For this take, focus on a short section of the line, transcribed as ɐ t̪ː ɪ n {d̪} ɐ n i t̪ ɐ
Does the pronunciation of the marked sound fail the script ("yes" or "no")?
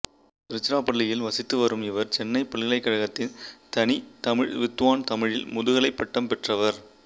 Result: yes